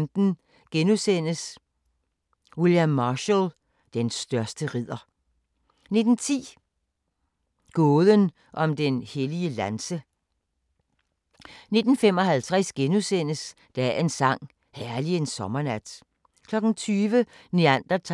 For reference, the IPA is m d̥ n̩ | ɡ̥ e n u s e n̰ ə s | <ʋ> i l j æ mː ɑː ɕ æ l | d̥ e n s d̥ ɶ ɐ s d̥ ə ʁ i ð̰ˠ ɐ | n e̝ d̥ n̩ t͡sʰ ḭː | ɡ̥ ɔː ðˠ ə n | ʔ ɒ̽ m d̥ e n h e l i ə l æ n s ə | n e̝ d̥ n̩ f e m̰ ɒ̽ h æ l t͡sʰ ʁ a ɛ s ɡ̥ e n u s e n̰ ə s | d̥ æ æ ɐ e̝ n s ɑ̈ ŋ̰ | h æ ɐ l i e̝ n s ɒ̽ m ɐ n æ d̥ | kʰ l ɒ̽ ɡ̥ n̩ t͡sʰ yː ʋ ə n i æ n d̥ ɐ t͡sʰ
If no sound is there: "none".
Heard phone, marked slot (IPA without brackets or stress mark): w